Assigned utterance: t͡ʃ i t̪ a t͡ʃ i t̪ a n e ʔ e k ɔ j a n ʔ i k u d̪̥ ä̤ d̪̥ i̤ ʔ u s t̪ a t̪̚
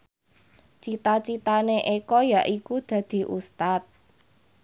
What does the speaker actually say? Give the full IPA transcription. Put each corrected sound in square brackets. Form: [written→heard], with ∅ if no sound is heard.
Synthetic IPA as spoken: t͡ʃ i t̪ a t͡ʃ i t̪ a n e ʔ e k ɔ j a [n→∅] ʔ i k u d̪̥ ä̤ d̪̥ i̤ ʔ u s t̪ a t̪̚